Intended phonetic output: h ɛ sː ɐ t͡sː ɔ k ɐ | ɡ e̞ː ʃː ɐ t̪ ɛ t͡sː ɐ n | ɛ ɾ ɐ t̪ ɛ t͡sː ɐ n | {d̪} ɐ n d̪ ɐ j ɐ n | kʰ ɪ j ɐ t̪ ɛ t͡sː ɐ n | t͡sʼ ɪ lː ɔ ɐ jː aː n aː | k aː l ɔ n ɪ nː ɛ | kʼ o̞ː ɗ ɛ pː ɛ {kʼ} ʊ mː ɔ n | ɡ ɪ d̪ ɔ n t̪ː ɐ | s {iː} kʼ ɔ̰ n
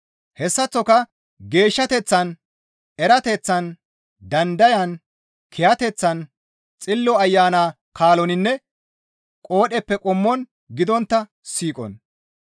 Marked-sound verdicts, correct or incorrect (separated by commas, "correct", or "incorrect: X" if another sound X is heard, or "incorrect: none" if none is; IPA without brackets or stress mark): correct, correct, correct